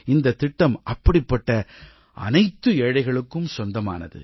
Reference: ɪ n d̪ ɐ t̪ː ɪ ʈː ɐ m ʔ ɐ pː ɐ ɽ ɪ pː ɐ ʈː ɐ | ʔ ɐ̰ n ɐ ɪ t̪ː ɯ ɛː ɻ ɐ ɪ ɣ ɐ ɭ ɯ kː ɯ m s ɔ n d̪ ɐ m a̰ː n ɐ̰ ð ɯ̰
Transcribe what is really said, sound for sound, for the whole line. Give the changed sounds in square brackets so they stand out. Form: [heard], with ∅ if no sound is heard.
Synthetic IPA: ɪ n d̪ ɐ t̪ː ɪ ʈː ɐ m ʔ ɐ pː ɐ ɽ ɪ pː ɐ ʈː ɐ | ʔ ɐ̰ n ɐ ɪ t̪ː ɯ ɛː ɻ ɐ ɪ ɣ ɐ ɭ ɯ kː ɯ m s ɔ n d̪ ɐ m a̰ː n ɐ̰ ð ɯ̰